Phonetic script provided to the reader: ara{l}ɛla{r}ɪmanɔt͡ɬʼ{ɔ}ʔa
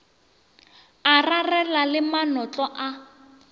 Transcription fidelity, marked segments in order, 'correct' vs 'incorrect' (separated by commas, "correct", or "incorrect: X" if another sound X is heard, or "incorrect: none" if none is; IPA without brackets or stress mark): incorrect: r, incorrect: l, correct